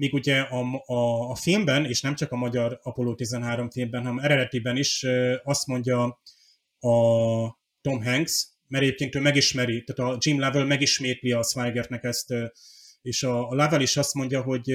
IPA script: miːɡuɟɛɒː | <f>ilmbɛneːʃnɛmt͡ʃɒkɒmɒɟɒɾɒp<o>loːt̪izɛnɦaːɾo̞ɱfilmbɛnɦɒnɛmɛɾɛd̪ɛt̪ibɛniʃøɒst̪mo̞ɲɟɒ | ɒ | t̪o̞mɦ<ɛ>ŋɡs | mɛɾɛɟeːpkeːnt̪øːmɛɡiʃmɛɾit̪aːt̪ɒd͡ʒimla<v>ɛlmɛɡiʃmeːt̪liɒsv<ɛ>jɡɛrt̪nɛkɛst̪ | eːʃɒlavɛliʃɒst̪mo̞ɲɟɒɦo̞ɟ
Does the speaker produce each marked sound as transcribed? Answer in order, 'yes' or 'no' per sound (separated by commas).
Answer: yes, yes, yes, yes, no